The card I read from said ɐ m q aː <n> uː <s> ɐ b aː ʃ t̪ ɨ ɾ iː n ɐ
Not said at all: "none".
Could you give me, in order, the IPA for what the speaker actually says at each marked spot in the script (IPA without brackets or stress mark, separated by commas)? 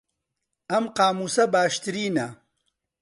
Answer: m, s